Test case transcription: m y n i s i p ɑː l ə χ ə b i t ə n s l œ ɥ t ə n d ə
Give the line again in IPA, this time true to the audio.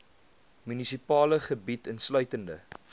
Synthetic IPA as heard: m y n i s i p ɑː l ə χ ə b i t ə n s l œ ɥ t ə n d ə